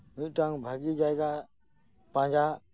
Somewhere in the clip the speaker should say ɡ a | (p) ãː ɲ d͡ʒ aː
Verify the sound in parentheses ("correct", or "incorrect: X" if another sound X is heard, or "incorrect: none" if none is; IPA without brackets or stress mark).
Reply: correct